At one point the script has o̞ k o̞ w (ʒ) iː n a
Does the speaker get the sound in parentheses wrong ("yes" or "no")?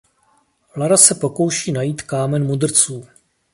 yes